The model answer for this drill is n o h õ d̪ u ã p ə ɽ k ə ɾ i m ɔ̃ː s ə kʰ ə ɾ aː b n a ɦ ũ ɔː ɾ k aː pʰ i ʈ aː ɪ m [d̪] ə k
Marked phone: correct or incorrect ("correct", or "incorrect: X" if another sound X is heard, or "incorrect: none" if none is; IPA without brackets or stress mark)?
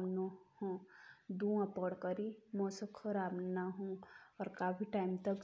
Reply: incorrect: t̪